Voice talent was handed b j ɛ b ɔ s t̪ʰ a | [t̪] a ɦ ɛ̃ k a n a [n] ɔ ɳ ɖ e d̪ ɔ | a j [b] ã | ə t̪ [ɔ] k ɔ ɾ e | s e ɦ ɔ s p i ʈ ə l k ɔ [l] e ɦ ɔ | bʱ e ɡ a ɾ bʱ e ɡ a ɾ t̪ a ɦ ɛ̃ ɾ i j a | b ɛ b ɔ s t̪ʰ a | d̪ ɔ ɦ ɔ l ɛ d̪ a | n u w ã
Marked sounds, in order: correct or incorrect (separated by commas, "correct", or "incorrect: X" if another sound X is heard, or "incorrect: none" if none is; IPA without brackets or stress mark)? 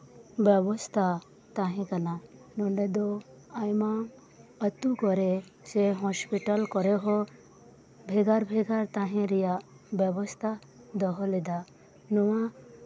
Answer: correct, correct, incorrect: m, incorrect: u, incorrect: ɾ